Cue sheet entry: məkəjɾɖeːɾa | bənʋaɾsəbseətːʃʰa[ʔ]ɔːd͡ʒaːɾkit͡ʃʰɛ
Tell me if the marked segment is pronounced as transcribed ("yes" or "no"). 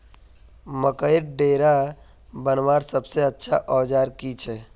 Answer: yes